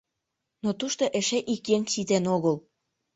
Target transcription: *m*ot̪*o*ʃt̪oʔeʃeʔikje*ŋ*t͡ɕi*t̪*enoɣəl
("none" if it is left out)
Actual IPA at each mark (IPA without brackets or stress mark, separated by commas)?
n, u, ŋ, t̪